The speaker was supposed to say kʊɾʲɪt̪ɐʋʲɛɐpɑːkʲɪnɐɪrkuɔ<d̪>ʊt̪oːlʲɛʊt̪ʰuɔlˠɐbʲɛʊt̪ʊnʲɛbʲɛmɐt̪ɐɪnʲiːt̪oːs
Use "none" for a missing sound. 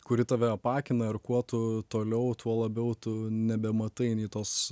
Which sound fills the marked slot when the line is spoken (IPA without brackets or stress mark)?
t̪